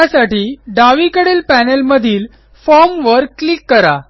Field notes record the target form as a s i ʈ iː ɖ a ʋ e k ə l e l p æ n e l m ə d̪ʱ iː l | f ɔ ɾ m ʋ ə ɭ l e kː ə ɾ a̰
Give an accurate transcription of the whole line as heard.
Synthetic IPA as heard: a s a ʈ iː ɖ a ʋ i k ə ɽ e l p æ n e l m ə d̪ʱ iː l | f ɔ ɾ m ʋ ə ɾ l i kː ə ɾ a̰